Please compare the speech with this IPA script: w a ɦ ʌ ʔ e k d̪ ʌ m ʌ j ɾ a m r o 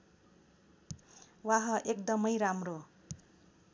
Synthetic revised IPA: w a ɦ ʌ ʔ e k d̪ ʌ m ʌ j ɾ a m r o